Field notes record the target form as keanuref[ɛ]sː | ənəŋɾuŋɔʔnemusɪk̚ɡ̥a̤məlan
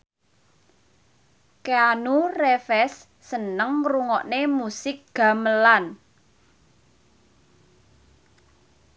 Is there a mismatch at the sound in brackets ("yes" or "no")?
no